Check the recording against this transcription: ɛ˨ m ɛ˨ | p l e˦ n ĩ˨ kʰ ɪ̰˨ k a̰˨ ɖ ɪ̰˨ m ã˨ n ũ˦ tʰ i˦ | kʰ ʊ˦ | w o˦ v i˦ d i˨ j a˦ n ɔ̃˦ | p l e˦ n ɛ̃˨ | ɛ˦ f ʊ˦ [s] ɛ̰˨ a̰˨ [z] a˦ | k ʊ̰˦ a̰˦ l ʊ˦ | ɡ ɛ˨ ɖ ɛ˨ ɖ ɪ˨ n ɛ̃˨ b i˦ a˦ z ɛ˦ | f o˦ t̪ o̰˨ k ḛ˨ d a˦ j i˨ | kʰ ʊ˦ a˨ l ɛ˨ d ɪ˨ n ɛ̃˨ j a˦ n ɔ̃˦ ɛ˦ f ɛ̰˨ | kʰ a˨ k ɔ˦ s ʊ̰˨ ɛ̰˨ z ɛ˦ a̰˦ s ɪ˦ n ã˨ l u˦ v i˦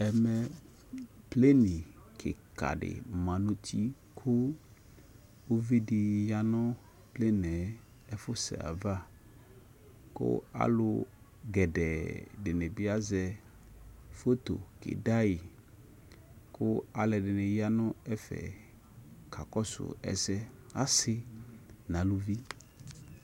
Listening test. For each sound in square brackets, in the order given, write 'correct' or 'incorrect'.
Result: correct, incorrect: v

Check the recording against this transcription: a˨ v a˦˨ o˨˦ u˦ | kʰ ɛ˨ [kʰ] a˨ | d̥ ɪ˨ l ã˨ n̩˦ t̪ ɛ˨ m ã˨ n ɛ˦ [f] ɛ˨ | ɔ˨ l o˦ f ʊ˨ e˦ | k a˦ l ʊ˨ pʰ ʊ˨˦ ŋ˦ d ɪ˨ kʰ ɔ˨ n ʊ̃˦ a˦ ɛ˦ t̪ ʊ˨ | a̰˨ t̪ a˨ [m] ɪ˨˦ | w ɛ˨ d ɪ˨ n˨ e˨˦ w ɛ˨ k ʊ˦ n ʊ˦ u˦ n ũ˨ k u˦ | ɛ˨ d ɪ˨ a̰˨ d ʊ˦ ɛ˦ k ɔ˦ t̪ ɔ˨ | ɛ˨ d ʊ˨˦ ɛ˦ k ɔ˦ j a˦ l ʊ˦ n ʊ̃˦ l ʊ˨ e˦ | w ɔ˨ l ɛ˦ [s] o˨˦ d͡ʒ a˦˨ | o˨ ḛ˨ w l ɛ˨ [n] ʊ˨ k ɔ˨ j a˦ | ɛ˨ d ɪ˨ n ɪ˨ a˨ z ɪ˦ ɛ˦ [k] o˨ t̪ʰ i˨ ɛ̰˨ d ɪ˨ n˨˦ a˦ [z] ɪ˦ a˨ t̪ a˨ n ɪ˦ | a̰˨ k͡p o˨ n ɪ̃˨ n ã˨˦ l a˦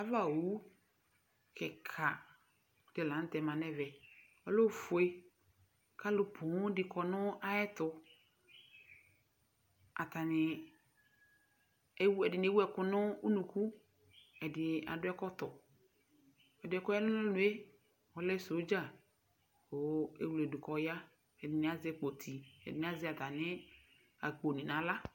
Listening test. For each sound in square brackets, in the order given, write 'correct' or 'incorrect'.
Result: correct, incorrect: v, incorrect: n, correct, incorrect: d, incorrect: k͡p, correct

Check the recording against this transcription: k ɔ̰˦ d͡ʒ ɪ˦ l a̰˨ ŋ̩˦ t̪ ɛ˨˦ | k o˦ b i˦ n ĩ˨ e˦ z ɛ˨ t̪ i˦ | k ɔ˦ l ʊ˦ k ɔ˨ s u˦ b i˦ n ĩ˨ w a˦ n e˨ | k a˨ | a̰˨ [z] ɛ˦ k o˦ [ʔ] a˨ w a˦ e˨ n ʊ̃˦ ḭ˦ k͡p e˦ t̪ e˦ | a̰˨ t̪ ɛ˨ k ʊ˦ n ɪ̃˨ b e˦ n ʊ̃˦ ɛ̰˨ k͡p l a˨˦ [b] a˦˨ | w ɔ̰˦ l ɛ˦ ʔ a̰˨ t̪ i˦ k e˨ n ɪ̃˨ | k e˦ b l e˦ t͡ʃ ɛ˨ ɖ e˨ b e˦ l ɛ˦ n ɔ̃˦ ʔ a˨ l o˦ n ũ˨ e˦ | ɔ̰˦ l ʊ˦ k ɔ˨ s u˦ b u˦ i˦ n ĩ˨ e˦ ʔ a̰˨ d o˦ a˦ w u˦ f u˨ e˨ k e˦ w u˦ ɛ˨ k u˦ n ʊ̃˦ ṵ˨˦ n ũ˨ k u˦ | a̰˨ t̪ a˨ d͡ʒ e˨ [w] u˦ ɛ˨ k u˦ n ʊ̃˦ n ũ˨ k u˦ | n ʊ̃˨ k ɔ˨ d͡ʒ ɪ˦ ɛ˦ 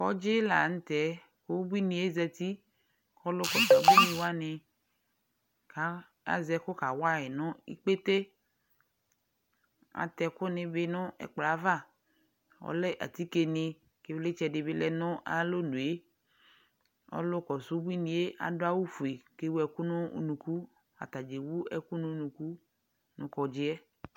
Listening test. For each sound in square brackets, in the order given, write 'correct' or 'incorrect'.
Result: correct, incorrect: k, incorrect: v, correct

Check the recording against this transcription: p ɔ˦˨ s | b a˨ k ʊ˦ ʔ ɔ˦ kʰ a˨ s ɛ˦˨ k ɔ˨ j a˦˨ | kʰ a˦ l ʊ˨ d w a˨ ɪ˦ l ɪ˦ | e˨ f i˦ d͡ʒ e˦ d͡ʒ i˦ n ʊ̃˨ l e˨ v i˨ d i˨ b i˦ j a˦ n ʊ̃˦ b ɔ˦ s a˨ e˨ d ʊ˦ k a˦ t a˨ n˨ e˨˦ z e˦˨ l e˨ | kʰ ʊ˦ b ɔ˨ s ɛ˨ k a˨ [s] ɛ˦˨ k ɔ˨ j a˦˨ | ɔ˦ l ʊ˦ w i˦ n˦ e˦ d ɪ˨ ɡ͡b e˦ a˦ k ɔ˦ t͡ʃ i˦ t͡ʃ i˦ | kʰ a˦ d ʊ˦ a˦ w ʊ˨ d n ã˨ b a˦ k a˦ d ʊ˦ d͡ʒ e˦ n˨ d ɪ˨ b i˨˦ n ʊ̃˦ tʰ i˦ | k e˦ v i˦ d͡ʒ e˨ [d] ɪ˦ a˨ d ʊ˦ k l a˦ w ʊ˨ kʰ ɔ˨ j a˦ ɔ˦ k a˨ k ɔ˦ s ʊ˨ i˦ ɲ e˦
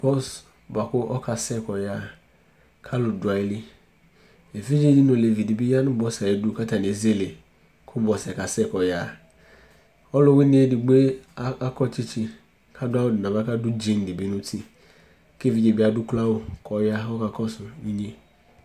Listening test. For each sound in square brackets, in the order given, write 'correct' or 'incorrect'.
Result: correct, incorrect: b

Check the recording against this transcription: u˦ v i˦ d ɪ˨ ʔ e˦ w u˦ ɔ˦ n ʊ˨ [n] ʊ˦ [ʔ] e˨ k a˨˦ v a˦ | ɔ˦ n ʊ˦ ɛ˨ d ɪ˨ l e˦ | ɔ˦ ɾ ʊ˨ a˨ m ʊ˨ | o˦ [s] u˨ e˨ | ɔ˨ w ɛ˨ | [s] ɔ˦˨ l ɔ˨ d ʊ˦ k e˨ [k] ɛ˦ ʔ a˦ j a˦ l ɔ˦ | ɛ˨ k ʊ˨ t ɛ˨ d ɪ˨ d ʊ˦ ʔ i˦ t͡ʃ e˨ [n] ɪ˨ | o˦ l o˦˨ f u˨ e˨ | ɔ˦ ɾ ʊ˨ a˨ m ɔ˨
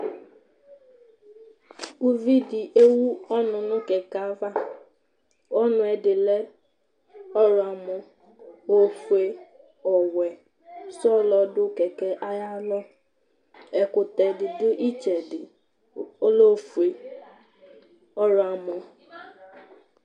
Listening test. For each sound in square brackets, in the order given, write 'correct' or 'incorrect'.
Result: correct, incorrect: k, incorrect: f, correct, correct, incorrect: d

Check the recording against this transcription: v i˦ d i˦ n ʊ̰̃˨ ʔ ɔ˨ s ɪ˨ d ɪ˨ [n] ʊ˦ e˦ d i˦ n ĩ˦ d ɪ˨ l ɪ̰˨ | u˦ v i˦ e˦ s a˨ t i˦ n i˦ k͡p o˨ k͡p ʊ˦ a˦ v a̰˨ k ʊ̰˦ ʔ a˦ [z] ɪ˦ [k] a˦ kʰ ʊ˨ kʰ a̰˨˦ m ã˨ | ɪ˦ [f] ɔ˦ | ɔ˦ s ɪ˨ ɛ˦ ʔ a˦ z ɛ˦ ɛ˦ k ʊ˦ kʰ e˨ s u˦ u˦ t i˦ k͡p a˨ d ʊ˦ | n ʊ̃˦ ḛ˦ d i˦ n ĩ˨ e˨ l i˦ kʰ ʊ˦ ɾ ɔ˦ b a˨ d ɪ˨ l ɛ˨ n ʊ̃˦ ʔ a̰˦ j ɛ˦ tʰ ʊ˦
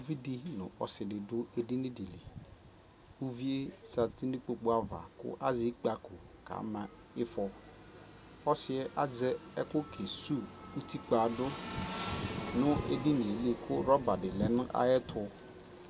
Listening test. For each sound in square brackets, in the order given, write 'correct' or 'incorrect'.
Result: incorrect: d, correct, incorrect: k͡p, correct

